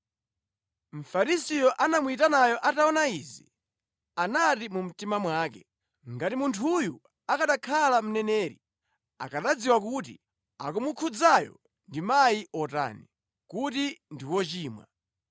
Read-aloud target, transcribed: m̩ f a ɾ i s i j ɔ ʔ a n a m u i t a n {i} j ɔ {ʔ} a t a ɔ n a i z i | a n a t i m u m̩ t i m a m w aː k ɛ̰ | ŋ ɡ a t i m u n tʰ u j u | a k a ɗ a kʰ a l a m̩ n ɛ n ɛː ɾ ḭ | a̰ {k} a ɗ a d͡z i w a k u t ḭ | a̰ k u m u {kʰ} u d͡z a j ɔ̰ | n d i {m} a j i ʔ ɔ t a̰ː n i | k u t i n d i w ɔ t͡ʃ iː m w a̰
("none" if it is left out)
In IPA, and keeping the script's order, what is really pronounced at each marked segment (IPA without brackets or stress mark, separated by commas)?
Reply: a, ʔ, k, kʰ, m